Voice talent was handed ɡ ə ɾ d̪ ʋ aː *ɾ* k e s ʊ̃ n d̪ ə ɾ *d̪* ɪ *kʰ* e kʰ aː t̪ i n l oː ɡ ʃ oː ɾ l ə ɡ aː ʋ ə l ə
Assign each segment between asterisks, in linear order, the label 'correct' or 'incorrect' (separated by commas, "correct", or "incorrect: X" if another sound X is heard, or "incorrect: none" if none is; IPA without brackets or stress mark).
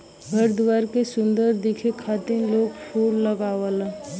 correct, correct, correct